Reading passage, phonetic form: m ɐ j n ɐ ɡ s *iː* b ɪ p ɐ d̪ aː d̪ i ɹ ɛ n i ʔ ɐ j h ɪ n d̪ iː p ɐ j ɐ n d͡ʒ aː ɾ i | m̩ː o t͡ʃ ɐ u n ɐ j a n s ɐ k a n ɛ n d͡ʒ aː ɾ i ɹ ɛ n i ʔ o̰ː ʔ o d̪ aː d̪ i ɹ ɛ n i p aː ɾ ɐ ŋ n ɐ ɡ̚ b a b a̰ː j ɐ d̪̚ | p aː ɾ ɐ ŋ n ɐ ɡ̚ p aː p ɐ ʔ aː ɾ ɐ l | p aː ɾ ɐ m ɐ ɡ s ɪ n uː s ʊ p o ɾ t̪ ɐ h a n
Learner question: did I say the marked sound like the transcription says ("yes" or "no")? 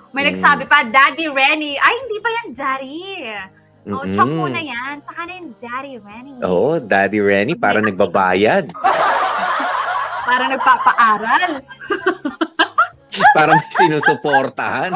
no